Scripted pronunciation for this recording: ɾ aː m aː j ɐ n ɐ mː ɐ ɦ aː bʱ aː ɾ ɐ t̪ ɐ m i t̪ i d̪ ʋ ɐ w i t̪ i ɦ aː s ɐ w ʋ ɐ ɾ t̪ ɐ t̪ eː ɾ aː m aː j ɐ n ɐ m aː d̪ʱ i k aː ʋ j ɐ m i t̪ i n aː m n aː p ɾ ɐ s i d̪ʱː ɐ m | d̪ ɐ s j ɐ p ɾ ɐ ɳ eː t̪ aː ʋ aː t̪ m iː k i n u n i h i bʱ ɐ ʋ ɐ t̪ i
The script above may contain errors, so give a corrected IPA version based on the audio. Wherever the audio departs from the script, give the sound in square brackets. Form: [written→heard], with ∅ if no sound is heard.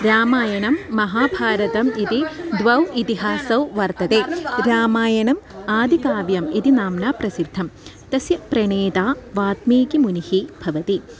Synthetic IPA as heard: ɾ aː m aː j ɐ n ɐ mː ɐ ɦ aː bʱ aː ɾ ɐ t̪ ɐ m i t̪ i d̪ ʋ ɐ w i t̪ i ɦ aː s ɐ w ʋ ɐ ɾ t̪ ɐ t̪ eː ɾ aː m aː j ɐ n ɐ m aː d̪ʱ i k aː ʋ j ɐ m i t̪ i n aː m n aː p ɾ ɐ s i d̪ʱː ɐ m | [d̪→t̪] ɐ s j ɐ p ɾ ɐ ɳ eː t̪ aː ʋ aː t̪ m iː k i [n→m] u n i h i bʱ ɐ ʋ ɐ t̪ i

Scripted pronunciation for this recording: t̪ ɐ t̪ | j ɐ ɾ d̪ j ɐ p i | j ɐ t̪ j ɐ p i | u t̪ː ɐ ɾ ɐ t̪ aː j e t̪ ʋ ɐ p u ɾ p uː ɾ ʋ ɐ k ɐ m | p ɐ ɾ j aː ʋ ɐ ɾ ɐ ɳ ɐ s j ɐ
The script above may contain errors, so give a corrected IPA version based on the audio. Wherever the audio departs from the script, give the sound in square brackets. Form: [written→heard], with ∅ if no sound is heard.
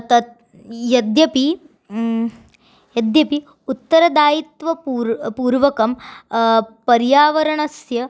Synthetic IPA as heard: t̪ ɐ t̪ | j ɐ [ɾ→∅] d̪ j ɐ p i | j ɐ [t̪→d̪] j ɐ p i | u t̪ː ɐ ɾ ɐ [t̪→d̪] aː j [e→i] t̪ ʋ ɐ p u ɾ p uː ɾ ʋ ɐ k ɐ m | p ɐ ɾ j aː ʋ ɐ ɾ ɐ ɳ ɐ s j ɐ

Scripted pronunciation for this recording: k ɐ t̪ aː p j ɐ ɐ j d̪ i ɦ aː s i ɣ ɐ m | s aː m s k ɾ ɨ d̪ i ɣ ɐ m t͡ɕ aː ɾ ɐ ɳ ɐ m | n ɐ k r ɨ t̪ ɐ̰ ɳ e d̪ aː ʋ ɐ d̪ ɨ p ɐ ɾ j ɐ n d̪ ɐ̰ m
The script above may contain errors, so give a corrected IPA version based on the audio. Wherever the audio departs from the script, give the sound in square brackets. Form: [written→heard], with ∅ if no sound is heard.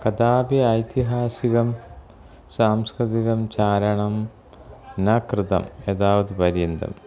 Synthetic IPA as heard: k ɐ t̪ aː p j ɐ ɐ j [d̪→t̪] i ɦ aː s i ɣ ɐ m | s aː m s k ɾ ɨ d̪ i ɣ ɐ m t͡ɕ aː ɾ ɐ ɳ ɐ m | n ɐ k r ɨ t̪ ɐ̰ [ɳ→m] e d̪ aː ʋ ɐ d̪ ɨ p ɐ ɾ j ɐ n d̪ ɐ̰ m

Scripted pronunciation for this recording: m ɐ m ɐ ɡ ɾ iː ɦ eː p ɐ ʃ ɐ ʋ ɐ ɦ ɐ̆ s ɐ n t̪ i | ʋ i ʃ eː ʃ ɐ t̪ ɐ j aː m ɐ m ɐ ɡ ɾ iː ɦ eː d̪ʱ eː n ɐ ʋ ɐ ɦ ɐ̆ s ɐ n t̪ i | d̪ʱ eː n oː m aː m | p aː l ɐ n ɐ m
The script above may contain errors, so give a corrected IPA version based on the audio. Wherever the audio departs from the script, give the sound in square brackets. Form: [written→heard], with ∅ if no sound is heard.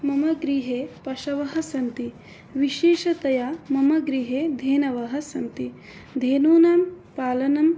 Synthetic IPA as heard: m ɐ m ɐ ɡ ɾ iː ɦ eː p ɐ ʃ ɐ ʋ ɐ ɦ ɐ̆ s ɐ n t̪ i | ʋ i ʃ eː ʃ ɐ t̪ ɐ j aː m ɐ m ɐ ɡ ɾ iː ɦ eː d̪ʱ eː n ɐ ʋ ɐ ɦ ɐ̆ s ɐ n t̪ i | d̪ʱ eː n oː [m→n] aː m | p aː l ɐ n ɐ m

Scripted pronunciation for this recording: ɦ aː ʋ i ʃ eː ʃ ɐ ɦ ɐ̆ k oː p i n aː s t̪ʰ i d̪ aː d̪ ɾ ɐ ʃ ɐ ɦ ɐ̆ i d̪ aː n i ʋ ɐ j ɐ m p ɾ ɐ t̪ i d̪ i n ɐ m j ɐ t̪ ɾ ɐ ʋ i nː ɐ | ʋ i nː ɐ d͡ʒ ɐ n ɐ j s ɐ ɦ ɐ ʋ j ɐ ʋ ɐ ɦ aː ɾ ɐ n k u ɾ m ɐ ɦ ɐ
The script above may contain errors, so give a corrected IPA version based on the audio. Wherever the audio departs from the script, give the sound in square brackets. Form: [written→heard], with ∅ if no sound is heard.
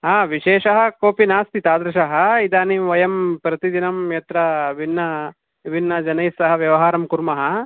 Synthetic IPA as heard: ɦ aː ʋ i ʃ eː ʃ ɐ ɦ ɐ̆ k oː p i n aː s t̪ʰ i [d̪→t̪] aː d̪ ɾ ɐ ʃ ɐ ɦ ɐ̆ i d̪ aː n i ʋ ɐ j ɐ m p ɾ ɐ t̪ i d̪ i n ɐ m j ɐ t̪ ɾ ɐ ʋ i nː ɐ | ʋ i nː ɐ d͡ʒ ɐ n ɐ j s ɐ ɦ ɐ ʋ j ɐ ʋ ɐ ɦ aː ɾ ɐ [n→m] k u ɾ m ɐ ɦ ɐ

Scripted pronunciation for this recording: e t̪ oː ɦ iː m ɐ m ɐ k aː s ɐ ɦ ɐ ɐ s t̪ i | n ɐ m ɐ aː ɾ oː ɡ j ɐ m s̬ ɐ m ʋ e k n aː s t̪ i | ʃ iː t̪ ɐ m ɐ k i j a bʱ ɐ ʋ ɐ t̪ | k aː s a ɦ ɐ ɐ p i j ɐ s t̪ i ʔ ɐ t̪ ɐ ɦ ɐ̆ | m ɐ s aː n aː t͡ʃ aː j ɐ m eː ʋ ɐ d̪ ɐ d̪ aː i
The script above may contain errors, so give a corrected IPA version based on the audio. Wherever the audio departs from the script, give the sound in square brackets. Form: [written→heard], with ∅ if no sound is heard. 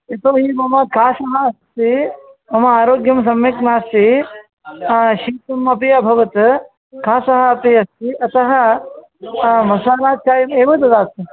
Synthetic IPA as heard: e t̪ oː ɦ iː m ɐ m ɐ k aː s ɐ ɦ ɐ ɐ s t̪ i | [n→m] ɐ m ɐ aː ɾ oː ɡ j ɐ m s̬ ɐ m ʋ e k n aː s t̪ i | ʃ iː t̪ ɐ m ɐ [k→p] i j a bʱ ɐ ʋ ɐ t̪ | k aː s [a→ɐ] ɦ ɐ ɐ p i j ɐ s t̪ i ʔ ɐ t̪ ɐ ɦ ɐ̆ | m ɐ s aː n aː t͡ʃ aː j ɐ m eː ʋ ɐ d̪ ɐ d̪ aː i

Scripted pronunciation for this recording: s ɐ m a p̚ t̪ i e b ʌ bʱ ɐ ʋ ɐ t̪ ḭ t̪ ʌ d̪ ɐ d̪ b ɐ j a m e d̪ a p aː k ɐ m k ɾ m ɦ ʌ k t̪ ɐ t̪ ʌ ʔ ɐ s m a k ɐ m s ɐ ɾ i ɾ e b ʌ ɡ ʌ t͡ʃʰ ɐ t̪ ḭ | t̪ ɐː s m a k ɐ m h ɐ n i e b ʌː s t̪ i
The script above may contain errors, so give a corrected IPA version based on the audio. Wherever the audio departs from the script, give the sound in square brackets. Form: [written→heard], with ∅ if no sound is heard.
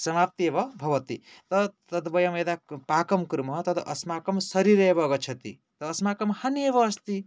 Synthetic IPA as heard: s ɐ m a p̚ t̪ i e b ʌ bʱ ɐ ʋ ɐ t̪ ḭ t̪ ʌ [d̪→t̪] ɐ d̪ b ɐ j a m e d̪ a p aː k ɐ m k ɾ m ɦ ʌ [k→∅] t̪ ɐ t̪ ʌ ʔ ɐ s m a k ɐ m s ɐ ɾ i ɾ e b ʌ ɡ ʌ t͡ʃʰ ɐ t̪ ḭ | t̪ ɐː s m a k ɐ m h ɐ n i e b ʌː s t̪ i

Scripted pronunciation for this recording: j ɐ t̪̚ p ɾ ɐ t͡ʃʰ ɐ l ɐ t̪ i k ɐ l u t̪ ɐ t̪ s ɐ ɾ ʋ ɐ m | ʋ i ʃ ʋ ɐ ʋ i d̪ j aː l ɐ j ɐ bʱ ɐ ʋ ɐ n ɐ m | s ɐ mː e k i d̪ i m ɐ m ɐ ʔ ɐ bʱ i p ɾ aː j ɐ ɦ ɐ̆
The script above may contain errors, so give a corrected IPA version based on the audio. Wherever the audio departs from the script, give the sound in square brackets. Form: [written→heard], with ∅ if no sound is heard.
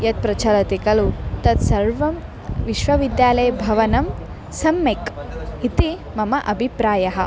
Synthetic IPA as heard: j ɐ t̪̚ p ɾ ɐ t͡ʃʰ ɐ l ɐ t̪ i k ɐ l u t̪ ɐ t̪ s ɐ ɾ ʋ ɐ m | ʋ i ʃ ʋ ɐ ʋ i d̪ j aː l ɐ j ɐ bʱ ɐ ʋ ɐ n ɐ m | s ɐ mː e k i [d̪→t̪] i m ɐ m ɐ ʔ ɐ bʱ i p ɾ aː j ɐ ɦ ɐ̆

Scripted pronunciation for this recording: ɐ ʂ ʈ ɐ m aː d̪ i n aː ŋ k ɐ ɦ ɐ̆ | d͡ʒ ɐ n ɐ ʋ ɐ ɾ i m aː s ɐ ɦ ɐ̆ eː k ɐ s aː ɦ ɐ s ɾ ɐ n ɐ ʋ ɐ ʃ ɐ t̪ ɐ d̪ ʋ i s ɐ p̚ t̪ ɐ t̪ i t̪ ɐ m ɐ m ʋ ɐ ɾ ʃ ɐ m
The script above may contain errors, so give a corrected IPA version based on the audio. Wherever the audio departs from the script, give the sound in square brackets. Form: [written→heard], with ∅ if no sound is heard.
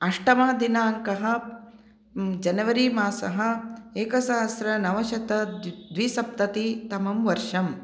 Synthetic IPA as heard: ɐ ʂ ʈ ɐ m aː d̪ i n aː ŋ k ɐ ɦ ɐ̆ | d͡ʒ ɐ n ɐ ʋ ɐ ɾ i m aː s ɐ ɦ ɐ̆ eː k ɐ s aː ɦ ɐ s ɾ ɐ n ɐ ʋ ɐ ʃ ɐ t̪ ɐ d̪ ʋ i s ɐ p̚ t̪ ɐ t̪ i t̪ ɐ m ɐ m ʋ ɐ ɾ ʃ ɐ m

